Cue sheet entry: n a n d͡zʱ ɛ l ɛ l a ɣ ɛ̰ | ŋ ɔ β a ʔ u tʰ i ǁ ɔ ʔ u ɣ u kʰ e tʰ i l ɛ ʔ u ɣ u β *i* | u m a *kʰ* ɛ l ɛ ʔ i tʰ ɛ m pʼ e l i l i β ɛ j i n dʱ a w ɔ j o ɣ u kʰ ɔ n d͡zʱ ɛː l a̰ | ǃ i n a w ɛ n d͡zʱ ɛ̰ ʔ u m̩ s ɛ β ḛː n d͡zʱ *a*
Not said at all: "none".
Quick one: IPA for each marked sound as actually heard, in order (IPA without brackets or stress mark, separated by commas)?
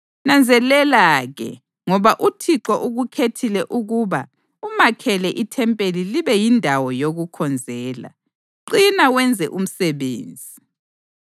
a, kʰ, i